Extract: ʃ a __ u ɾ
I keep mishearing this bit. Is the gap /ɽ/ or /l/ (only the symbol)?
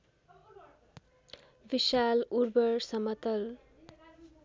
l